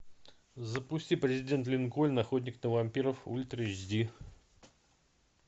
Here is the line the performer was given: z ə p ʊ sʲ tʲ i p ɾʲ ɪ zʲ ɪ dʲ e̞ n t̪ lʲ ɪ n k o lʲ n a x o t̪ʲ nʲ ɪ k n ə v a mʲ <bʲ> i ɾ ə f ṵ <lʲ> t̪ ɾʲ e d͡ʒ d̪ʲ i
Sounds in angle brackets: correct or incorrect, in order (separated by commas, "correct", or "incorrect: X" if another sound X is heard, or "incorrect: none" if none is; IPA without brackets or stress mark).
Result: incorrect: pʲ, correct